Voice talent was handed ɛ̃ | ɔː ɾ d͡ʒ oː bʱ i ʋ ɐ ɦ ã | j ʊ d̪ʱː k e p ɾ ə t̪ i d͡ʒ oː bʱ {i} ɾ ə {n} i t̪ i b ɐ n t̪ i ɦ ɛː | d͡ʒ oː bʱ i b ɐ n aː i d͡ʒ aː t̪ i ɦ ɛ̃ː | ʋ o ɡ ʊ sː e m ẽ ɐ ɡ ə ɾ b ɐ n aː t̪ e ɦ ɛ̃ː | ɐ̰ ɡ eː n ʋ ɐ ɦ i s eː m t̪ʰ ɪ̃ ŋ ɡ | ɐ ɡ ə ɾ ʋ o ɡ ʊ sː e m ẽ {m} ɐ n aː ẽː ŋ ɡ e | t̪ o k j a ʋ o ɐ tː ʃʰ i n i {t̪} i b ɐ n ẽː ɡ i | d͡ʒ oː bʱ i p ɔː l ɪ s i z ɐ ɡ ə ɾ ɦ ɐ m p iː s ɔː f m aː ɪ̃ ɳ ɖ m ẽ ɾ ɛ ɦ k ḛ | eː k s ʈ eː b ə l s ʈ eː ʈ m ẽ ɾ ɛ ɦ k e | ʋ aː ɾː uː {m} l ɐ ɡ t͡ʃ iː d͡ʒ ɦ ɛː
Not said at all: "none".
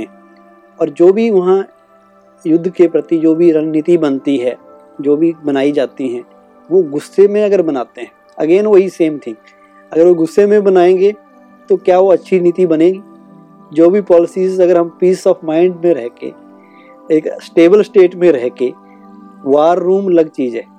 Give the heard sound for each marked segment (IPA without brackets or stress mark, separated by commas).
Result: i, n, b, t̪, m